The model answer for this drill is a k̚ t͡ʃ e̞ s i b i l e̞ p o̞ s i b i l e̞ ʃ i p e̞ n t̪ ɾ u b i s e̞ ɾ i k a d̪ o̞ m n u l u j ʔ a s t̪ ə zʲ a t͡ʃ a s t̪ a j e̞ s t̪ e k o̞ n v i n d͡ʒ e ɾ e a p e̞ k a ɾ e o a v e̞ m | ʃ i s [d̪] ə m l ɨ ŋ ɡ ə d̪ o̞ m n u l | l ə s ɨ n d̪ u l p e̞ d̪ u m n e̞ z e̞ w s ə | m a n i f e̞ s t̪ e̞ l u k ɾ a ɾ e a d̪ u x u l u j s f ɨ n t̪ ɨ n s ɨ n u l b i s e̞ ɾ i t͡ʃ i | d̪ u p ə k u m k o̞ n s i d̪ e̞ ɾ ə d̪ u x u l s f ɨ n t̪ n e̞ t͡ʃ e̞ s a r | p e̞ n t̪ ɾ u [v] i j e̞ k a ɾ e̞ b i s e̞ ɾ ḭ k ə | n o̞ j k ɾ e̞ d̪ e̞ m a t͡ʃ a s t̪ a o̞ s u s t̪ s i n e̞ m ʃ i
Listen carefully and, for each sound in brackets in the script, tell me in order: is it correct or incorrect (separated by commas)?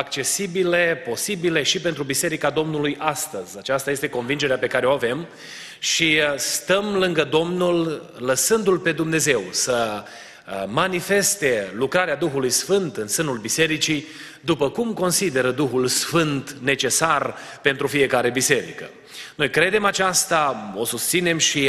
incorrect, incorrect